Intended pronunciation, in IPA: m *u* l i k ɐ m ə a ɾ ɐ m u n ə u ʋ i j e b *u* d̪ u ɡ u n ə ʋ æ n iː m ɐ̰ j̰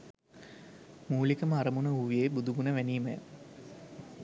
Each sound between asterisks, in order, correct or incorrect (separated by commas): incorrect, correct